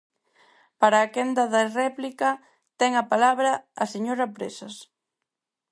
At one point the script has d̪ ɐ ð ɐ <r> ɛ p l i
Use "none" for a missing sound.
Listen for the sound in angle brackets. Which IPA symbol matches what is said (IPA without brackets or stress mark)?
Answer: r